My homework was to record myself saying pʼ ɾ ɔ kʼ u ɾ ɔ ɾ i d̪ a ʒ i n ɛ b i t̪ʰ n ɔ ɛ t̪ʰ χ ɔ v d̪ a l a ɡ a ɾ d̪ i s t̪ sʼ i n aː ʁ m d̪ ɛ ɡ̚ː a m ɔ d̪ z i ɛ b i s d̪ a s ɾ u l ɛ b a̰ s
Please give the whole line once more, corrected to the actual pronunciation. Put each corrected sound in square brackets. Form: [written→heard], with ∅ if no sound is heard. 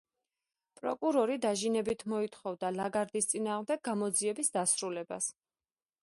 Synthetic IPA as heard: pʼ ɾ ɔ kʼ u ɾ ɔ ɾ i d̪ a ʒ i n ɛ b i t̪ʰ [n→m] ɔ [ɛ→i] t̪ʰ χ ɔ v d̪ a l a ɡ a ɾ d̪ i s t̪ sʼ i n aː ʁ m d̪ ɛ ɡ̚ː a m ɔ d̪ z i ɛ b i s d̪ a s ɾ u l ɛ b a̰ s